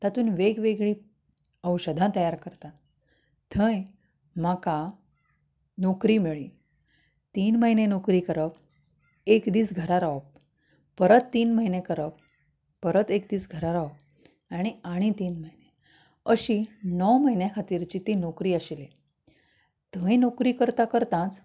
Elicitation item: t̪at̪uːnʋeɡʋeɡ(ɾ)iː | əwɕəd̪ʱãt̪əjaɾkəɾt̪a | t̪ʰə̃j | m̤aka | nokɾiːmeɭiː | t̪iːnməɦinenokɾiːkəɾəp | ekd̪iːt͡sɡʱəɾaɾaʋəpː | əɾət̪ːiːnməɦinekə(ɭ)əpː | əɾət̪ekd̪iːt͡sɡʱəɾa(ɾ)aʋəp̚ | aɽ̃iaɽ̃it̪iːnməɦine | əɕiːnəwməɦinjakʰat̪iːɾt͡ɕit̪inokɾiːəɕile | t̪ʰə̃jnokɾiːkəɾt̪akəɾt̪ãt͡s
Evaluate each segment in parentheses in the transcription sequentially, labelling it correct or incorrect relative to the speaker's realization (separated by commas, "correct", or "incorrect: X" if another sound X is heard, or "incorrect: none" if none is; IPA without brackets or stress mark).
incorrect: ɭ, incorrect: ɾ, correct